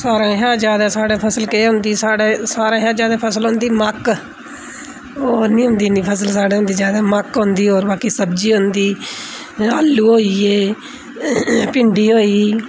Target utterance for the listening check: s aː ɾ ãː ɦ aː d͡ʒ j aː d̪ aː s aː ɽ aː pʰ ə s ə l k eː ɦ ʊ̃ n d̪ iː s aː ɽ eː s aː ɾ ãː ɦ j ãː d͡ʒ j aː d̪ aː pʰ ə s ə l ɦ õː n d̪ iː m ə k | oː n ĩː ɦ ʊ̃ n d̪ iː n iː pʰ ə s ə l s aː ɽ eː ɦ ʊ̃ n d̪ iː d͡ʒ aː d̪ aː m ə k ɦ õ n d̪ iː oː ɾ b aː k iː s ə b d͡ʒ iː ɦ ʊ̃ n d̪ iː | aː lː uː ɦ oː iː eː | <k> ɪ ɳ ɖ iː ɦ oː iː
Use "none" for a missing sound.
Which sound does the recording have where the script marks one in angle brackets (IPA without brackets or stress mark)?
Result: p